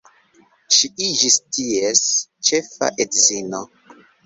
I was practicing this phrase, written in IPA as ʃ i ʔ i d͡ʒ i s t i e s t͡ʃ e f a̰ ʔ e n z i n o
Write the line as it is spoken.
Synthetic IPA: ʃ i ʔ i d͡ʒ i s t i e s t͡ʃ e f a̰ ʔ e d z i n o